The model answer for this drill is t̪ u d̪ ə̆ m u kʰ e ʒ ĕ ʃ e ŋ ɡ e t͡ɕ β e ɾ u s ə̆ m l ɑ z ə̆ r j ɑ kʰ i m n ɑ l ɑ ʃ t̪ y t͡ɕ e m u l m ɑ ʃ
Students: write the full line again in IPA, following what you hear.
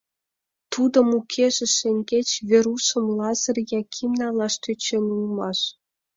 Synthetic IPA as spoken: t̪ u d̪ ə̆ m u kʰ e ʒ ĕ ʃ e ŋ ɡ e t͡ɕ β e ɾ u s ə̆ m l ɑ z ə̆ r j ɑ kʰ i m n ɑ l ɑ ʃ t̪ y t͡ɕ e n u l m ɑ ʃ